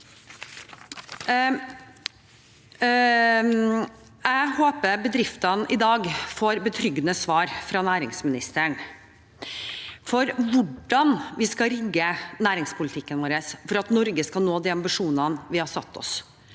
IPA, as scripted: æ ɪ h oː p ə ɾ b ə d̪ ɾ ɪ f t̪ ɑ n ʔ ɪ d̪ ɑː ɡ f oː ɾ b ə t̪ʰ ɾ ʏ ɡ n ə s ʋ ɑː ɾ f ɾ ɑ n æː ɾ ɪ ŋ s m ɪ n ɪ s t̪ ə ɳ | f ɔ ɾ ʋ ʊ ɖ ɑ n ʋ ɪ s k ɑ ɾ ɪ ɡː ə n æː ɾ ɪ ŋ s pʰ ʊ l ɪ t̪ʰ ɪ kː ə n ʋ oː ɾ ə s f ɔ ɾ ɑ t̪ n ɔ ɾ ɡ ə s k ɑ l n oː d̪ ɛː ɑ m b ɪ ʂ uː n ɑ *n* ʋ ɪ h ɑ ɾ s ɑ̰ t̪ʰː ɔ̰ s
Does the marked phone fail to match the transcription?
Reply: no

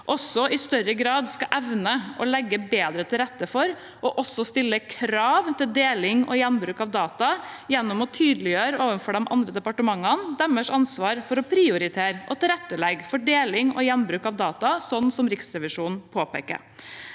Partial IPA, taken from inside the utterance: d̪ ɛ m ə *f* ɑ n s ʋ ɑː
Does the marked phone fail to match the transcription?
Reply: yes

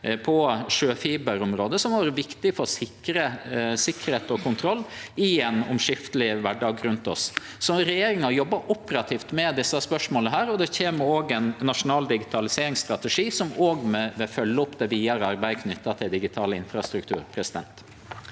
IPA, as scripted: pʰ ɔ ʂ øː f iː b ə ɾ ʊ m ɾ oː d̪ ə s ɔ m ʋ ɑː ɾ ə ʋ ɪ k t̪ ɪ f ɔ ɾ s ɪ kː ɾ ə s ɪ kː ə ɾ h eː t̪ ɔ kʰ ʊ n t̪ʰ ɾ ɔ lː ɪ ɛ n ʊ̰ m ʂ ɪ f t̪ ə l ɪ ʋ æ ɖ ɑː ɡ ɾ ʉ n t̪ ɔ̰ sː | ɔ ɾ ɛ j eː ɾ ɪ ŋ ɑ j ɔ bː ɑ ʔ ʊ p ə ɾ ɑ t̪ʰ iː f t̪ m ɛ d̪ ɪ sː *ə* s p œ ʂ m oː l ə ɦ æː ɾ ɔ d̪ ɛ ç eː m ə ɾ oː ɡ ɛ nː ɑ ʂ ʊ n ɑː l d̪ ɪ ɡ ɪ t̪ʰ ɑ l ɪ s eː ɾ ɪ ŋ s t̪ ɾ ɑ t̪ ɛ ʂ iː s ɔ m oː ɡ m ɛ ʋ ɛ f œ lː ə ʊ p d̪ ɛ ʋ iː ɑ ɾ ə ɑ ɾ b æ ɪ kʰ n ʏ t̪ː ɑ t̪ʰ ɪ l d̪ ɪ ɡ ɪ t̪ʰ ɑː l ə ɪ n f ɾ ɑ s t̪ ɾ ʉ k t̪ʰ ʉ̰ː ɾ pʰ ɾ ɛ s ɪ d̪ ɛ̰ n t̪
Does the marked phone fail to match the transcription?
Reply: yes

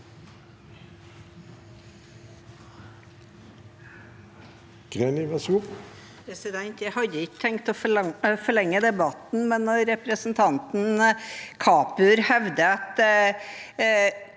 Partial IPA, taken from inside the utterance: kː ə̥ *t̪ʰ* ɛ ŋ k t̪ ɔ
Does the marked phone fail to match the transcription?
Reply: no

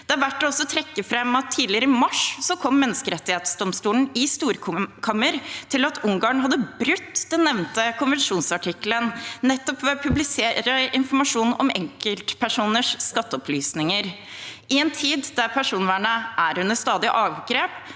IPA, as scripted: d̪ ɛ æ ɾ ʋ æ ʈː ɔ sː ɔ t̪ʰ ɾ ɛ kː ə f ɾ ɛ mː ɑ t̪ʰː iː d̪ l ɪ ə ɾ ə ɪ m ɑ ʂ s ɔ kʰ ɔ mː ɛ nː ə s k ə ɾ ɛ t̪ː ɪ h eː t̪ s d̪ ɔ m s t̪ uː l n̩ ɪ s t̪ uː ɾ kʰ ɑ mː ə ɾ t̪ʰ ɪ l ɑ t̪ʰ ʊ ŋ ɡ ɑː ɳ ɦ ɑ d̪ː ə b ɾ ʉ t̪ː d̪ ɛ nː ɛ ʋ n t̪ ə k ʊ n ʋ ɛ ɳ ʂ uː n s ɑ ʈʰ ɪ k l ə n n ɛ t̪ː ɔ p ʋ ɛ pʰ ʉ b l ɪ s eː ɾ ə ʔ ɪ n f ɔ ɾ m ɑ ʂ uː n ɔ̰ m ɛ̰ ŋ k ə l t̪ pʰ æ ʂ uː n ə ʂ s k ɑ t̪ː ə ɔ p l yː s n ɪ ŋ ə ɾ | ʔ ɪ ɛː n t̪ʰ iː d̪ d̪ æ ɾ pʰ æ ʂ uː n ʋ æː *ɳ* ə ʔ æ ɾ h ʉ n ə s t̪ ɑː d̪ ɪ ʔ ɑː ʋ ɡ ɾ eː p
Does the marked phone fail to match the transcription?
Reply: no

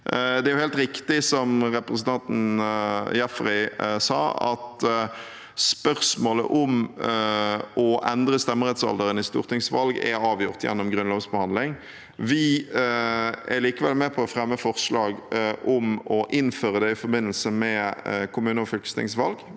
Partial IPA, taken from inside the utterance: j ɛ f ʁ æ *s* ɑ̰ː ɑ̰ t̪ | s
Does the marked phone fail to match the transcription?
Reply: no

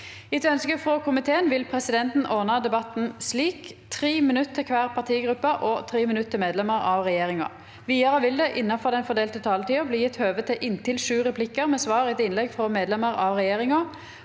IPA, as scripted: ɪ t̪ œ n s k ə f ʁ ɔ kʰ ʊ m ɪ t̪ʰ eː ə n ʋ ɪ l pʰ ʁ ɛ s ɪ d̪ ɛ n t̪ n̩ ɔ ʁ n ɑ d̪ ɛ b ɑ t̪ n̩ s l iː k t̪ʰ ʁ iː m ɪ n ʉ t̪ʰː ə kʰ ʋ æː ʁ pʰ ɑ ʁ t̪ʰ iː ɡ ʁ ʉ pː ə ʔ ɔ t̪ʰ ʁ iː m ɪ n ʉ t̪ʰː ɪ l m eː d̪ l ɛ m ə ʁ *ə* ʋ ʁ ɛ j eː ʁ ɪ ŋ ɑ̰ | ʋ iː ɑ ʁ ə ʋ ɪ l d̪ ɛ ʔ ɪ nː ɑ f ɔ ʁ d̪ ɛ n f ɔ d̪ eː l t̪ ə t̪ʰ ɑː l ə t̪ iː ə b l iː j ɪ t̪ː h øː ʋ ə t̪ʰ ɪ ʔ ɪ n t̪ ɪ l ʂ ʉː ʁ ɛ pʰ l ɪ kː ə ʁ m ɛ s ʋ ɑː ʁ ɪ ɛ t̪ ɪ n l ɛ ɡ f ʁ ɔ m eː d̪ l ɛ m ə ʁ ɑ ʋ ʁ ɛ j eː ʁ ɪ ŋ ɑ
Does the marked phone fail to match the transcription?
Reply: yes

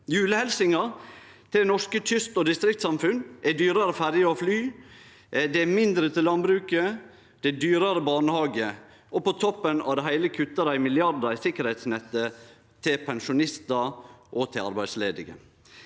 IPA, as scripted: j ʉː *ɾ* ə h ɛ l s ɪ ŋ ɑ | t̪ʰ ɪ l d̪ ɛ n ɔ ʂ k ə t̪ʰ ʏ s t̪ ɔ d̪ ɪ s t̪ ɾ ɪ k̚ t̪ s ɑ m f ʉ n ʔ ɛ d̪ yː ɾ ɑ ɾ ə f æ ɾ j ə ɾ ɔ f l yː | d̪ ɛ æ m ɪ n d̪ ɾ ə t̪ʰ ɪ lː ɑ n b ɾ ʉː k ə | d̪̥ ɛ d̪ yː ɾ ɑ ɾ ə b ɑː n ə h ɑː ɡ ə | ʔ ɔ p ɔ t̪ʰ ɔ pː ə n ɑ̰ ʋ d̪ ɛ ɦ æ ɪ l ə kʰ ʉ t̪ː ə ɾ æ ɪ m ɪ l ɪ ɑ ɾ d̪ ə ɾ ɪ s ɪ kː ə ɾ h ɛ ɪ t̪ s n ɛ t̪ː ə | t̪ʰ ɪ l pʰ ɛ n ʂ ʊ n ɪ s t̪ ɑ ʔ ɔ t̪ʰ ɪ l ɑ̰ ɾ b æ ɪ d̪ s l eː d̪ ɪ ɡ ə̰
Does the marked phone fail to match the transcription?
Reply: yes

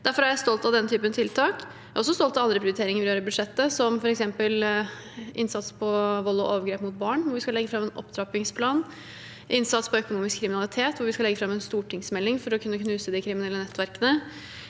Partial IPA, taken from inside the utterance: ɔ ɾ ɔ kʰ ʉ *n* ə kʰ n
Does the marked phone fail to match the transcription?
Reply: yes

